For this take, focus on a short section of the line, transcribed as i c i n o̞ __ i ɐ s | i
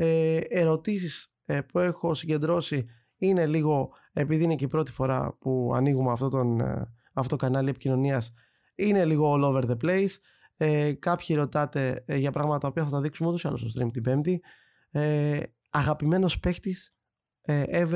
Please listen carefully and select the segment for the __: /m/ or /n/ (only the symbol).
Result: n